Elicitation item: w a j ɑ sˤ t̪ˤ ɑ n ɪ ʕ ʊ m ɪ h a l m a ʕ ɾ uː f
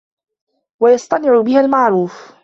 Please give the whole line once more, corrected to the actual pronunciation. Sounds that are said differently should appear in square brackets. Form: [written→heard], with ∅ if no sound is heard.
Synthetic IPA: w a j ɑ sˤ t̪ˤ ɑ n ɪ ʕ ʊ [m→b] ɪ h a l m a ʕ ɾ uː f